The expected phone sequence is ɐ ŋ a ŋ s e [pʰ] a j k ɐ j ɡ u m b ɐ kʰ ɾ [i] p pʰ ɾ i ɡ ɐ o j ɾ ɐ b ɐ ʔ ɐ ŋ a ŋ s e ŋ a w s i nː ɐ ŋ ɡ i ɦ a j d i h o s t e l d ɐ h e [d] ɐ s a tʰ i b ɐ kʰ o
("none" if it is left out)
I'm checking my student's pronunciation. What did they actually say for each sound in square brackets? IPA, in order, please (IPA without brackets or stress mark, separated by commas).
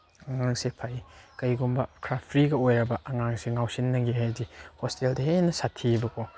pʰ, a, n